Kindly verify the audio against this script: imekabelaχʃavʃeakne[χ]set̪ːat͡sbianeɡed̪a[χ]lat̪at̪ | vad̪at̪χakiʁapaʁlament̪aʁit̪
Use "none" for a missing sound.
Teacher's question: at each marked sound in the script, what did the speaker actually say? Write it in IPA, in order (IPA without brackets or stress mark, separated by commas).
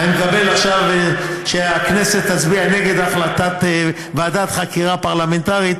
none, χ